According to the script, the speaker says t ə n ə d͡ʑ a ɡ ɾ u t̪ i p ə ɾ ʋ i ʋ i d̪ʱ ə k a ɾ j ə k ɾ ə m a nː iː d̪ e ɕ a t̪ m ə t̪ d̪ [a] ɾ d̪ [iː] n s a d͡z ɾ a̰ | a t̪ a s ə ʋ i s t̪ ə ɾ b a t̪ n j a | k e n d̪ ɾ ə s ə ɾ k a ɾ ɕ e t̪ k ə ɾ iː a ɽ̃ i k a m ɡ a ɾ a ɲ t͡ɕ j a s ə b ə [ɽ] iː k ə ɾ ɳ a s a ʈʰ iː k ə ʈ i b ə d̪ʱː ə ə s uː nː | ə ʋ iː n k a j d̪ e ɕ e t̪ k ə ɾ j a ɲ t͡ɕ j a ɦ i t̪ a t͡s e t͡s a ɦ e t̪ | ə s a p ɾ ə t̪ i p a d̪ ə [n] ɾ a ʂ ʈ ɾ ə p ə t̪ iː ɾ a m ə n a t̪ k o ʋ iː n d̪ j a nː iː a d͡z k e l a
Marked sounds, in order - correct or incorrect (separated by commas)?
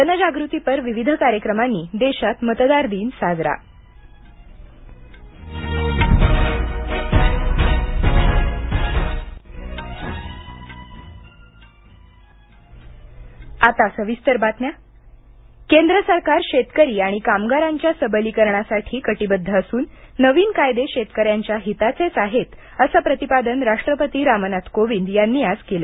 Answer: correct, correct, incorrect, correct